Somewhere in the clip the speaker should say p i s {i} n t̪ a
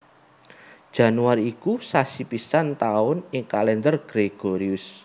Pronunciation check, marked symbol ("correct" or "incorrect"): incorrect